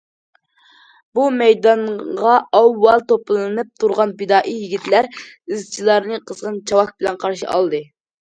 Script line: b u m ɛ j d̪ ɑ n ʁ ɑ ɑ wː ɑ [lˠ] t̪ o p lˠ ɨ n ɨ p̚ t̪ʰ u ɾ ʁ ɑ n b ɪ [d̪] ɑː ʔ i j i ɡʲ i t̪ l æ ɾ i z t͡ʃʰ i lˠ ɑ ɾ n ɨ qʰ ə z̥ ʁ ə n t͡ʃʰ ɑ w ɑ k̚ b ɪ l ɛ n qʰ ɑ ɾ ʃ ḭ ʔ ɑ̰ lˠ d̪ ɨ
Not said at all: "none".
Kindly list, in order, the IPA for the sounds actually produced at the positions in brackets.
lˠ, d̪

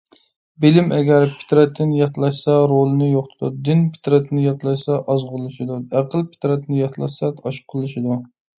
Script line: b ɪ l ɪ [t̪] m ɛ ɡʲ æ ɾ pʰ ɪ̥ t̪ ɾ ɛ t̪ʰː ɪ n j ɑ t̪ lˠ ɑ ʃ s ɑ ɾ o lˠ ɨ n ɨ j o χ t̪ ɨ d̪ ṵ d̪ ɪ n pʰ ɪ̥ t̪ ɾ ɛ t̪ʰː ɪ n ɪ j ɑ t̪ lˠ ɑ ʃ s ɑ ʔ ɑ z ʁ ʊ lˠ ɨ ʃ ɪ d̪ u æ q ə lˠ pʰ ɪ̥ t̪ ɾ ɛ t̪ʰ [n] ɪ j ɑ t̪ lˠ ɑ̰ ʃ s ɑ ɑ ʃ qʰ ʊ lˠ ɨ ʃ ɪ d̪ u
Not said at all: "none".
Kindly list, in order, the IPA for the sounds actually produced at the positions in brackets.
none, n

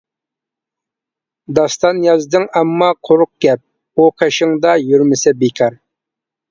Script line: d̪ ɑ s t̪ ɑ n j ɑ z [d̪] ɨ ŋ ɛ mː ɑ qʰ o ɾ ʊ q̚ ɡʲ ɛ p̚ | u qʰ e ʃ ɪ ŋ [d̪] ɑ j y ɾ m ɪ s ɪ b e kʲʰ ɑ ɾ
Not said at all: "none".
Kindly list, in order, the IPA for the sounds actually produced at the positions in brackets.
d̪, d̪

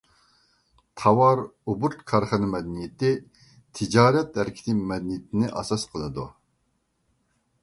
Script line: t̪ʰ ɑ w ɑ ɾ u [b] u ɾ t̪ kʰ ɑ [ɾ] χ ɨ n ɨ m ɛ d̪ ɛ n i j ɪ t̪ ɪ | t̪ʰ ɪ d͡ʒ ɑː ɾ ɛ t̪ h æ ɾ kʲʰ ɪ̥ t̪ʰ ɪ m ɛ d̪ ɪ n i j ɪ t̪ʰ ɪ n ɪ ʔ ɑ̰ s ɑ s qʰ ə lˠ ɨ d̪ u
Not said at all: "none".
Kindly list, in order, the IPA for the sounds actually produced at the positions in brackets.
b, ɾ

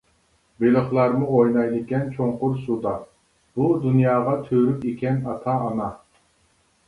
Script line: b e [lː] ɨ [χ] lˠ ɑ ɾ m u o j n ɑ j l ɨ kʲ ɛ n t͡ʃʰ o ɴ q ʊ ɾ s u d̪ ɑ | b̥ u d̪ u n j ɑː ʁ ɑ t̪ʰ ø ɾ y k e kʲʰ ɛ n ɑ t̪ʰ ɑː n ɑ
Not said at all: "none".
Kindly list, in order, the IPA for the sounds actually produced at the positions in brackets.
l, χ

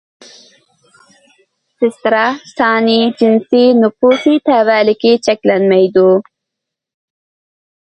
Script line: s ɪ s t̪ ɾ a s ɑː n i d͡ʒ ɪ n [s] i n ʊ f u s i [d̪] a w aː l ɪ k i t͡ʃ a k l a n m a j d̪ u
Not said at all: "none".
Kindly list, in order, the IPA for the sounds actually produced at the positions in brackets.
s, t̪

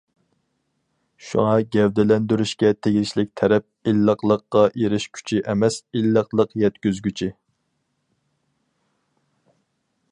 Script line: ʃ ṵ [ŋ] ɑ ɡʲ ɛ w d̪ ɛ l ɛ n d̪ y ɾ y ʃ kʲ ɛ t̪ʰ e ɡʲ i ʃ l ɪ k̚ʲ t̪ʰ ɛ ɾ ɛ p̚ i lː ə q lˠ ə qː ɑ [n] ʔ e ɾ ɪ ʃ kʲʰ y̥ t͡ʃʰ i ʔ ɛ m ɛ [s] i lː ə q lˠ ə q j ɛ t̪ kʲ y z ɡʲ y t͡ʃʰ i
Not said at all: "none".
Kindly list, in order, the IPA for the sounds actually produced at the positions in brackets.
ŋ, none, s

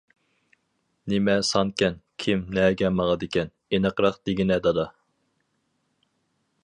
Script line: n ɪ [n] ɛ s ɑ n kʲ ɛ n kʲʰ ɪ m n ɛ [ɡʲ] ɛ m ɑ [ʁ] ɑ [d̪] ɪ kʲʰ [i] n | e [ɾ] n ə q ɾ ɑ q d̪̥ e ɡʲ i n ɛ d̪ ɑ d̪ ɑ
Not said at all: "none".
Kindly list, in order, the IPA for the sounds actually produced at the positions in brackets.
m, ɡʲ, ʁ, d̪, ɛ, none

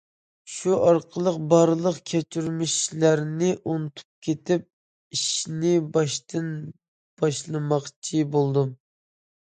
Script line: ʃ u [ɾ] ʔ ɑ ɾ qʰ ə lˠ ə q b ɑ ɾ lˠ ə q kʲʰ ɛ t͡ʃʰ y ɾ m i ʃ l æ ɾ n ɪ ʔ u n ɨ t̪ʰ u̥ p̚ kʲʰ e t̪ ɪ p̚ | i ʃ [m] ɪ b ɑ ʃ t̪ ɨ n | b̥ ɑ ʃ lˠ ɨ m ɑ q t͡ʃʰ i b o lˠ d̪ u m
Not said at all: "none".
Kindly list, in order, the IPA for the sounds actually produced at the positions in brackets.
none, n

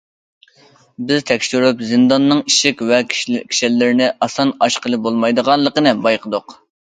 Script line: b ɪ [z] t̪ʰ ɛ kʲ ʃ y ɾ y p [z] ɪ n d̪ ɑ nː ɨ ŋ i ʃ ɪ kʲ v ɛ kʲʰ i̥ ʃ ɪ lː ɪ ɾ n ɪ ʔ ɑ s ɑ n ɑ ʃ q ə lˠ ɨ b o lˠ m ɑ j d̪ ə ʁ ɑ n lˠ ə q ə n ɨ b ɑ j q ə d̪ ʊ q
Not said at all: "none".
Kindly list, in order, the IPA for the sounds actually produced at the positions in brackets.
z, z

